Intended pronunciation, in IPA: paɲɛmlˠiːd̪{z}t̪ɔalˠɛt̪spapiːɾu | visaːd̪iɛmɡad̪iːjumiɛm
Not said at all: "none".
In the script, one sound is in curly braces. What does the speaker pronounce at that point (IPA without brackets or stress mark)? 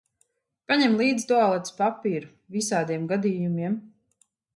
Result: z